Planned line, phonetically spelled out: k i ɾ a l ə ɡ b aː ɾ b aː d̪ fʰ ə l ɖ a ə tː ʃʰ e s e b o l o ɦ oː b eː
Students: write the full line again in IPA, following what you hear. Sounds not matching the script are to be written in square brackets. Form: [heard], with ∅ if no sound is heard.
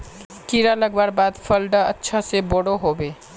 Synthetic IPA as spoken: k i ɾ a l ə ɡ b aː ɾ b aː d̪ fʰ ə l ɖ a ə tː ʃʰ [a] s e b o [ɽ] o ɦ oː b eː